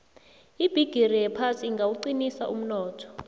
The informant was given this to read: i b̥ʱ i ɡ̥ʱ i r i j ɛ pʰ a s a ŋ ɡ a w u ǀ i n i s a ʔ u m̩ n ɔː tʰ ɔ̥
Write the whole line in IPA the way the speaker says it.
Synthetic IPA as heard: i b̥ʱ i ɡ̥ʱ i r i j ɛ pʰ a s i ŋ ɡ a w u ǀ i n i s a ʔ u m̩ n ɔː tʰ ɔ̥